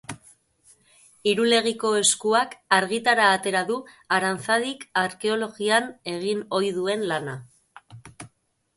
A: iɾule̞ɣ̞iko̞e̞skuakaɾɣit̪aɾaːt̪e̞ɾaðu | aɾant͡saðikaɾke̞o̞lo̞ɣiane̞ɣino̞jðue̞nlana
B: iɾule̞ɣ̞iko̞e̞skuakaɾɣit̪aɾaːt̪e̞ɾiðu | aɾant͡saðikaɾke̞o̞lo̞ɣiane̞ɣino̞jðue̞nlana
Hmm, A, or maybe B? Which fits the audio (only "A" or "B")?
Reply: A